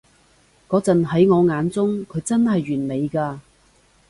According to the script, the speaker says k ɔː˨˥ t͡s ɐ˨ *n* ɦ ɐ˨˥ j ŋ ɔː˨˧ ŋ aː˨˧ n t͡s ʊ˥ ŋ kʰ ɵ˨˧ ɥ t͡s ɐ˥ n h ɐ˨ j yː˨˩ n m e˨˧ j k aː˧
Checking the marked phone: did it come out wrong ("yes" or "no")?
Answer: no